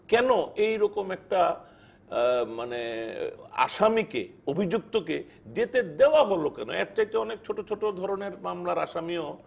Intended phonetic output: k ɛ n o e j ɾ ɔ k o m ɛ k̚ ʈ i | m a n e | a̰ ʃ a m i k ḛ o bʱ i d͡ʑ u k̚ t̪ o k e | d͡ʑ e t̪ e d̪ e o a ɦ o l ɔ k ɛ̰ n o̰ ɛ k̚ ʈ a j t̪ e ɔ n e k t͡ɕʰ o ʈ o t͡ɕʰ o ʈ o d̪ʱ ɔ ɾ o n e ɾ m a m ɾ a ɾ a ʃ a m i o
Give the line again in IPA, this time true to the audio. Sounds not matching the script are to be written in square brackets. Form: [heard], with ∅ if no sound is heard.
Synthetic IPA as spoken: k ɛ n o e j ɾ ɔ k o m ɛ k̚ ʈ [a] | m a n e | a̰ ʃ a m i k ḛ o bʱ i d͡ʑ u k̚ t̪ o k e | d͡ʑ e t̪ e d̪ e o a ɦ o l [o] k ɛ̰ n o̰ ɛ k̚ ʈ a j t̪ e ɔ n e k t͡ɕʰ o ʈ o t͡ɕʰ o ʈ o d̪ʱ ɔ ɾ o n e ɾ m a m [l] a ɾ a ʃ a m i o